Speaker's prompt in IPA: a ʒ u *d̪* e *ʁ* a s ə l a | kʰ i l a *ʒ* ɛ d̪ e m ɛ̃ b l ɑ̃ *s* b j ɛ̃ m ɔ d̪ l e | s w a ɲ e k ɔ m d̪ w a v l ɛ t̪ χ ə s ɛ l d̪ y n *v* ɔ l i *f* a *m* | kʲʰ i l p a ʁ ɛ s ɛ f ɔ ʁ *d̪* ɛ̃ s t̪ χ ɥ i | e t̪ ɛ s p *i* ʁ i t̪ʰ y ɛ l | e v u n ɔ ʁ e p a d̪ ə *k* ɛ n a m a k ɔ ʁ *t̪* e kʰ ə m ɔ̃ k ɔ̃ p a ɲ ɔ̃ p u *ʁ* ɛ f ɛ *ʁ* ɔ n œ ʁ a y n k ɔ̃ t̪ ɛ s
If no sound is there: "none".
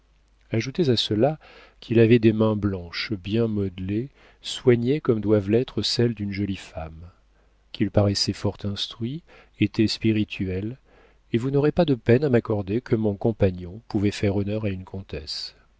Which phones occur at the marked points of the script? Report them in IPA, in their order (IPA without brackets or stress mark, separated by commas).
t̪, z, v, ʃ, ʒ, f, m, t̪, i, p, d̪, v, ʁ